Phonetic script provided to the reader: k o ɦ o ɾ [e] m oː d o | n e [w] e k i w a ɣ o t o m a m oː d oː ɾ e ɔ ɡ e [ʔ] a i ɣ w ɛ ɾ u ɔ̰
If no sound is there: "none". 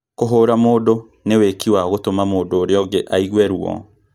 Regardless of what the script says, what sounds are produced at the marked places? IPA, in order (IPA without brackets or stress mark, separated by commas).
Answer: a, w, ʔ